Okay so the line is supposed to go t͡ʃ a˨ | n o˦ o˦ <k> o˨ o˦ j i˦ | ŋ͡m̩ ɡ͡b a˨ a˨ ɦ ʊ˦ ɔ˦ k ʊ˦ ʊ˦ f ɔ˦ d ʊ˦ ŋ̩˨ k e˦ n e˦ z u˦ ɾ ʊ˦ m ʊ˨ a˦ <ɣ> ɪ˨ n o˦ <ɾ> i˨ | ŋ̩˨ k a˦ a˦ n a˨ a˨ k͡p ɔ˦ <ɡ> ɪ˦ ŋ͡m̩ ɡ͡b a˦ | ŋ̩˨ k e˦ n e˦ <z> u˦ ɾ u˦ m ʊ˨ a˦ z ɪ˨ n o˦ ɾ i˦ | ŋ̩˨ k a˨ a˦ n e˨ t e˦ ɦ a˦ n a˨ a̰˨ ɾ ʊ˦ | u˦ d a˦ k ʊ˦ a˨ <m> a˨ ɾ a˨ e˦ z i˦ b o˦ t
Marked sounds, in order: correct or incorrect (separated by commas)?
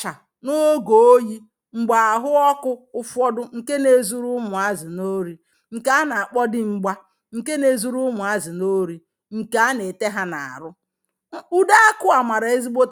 incorrect, incorrect, correct, incorrect, correct, correct